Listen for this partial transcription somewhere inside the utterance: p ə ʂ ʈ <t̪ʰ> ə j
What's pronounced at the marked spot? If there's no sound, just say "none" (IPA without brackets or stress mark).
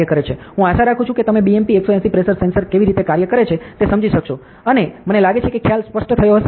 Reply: t̪ʰ